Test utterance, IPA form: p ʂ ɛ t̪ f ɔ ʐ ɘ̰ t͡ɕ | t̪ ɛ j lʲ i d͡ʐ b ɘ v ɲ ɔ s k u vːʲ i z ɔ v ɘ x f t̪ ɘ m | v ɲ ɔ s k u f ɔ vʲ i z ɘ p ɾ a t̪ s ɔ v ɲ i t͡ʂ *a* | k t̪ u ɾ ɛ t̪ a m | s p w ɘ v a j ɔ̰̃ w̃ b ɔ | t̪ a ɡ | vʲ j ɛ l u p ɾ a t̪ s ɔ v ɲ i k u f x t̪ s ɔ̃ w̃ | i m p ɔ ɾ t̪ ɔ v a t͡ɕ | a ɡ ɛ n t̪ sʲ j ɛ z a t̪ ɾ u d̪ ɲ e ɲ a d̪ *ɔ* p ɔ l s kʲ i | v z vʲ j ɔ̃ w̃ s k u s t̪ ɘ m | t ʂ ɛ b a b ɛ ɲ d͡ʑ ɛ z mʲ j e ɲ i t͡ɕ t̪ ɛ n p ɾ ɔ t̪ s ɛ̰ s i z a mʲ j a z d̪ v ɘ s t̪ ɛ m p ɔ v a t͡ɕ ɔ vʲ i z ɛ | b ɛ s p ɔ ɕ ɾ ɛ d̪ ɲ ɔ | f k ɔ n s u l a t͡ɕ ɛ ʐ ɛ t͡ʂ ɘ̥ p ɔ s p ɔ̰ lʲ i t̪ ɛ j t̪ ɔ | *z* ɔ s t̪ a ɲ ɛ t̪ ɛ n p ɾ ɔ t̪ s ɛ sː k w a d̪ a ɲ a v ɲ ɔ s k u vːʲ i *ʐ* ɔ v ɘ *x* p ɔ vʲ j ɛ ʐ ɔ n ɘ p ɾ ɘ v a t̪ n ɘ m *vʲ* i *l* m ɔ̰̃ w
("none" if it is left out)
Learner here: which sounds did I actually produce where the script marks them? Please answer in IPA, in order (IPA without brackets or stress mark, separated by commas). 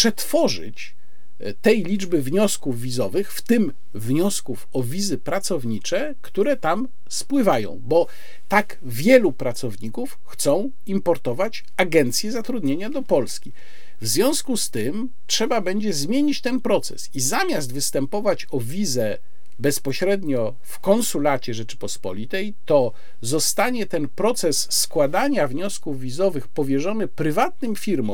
ɛ, ɔ, z, z, x, fʲ, ɾ